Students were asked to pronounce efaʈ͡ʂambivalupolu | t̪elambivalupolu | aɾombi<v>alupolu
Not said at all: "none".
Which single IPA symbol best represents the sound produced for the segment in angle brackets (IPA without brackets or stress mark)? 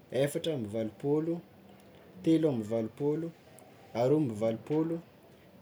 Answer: v